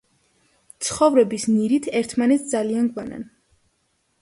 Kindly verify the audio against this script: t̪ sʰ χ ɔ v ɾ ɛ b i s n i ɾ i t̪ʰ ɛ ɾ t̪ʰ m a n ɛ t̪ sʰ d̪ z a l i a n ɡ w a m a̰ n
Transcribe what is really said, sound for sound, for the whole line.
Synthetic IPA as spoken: t̪ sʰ χ ɔ v ɾ ɛ b i s n i ɾ i t̪ʰ ɛ ɾ t̪ʰ m a n ɛ t̪ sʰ d̪ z a l i a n ɡ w a n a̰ n

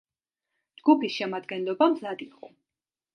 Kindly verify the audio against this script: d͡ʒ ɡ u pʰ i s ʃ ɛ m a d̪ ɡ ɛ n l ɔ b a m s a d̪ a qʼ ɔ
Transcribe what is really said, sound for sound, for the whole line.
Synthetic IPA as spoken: d͡ʒ ɡ u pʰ i s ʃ ɛ m a d̪ ɡ ɛ n l ɔ b a m z a d̪ i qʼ ɔ

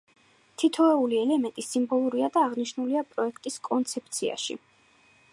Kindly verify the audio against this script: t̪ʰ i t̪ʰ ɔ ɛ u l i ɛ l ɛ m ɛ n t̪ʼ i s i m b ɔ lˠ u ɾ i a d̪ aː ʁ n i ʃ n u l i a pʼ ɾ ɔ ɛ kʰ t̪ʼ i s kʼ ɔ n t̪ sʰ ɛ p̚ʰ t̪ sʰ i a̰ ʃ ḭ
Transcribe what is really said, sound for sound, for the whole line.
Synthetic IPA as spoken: t̪ʰ i t̪ʰ ɔ ɛ u l i ɛ l ɛ m ɛ n t̪ʼ i s i m b ɔ lˠ u ɾ i a d̪ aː ʁ n i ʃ n u l i a pʼ ɾ ɔ ɛ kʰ t̪ʼ i s kʼ ɔ n t̪ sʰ ɛ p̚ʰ t̪ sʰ i a̰ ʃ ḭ

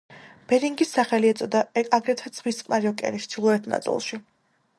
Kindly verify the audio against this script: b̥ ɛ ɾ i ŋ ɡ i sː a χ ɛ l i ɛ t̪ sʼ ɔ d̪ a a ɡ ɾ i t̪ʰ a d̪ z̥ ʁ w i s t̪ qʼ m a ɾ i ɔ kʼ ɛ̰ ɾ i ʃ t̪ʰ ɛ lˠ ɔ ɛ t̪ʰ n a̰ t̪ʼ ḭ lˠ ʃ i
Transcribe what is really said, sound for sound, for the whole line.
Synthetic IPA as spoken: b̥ ɛ ɾ i ŋ ɡ i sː a χ ɛ l i ɛ t̪ sʼ ɔ d̪ a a ɡ ɾ ɛ t̪ʰ a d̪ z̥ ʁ w i s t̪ qʼ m a ɾ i ɔ kʼ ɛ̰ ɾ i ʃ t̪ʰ i lˠ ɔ ɛ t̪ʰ n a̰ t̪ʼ ḭ lˠ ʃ i

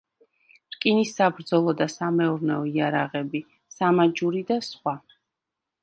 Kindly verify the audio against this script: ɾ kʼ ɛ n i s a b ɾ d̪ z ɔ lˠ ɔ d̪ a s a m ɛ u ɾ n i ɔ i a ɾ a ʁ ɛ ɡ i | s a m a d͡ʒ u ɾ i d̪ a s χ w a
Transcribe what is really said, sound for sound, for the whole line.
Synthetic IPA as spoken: ɾ kʼ i n i s a b ɾ d̪ z ɔ lˠ ɔ d̪ a s a m ɛ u ɾ n ɛ ɔ i a ɾ a ʁ ɛ b i | s a m a d͡ʒ u ɾ i d̪ a s χ w a

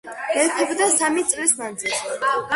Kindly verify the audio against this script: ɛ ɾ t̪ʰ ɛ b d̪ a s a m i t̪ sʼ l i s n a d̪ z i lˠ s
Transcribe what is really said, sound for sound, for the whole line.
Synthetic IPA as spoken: ɛ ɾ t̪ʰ ɛ b d̪ a s a m i t̪ sʼ l i s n a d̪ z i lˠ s

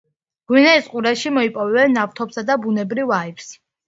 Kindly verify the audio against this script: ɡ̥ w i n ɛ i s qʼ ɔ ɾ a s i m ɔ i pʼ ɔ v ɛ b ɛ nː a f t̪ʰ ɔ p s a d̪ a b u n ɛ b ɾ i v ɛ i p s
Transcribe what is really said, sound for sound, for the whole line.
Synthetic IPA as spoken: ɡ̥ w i n ɛ i s qʼ u ɾ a ʃ i m ɔ i pʼ ɔ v ɛ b ɛ nː a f t̪ʰ ɔ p s a d̪ a b u n ɛ b ɾ i v a i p s

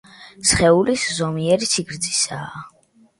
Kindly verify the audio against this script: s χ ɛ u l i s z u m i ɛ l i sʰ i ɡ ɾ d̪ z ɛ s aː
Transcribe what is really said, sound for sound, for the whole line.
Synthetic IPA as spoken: s χ ɛ u l i s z ɔ m i ɛ ɾ i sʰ i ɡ ɾ d̪ z i s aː

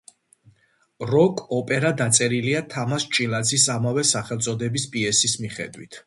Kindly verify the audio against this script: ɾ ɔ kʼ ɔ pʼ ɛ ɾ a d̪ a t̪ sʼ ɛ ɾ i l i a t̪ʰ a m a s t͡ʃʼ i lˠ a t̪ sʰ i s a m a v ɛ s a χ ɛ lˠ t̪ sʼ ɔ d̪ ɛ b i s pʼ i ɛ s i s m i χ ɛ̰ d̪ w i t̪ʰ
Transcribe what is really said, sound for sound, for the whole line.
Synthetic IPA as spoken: ɾ ɔ kʼ ɔ pʼ ɛ ɾ a d̪ a t̪ sʼ ɛ ɾ i l i a t̪ʰ a m a s t͡ʃʼ i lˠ a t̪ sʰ i s a m a v ɛ s a χ ɛ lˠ t̪ sʼ ɔ d̪ ɛ b i s pʼ i ɛ s i s m i χ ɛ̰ d̪ w i t̪ʰ

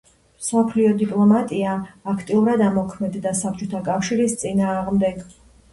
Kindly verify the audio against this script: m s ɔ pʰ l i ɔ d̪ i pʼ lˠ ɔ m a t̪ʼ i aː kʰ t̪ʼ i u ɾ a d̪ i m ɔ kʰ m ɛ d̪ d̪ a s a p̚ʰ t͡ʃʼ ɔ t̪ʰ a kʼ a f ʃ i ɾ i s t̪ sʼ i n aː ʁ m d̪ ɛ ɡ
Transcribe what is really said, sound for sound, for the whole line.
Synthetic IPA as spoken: m s ɔ pʰ l i ɔ d̪ i pʼ lˠ ɔ m a t̪ʼ i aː kʰ t̪ʼ i u ɾ a d̪ a m ɔ kʰ m ɛ d̪ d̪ a s a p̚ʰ t͡ʃʼ ɔ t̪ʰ a kʼ a f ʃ i ɾ i s t̪ sʼ i n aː ʁ m d̪ ɛ ɡ

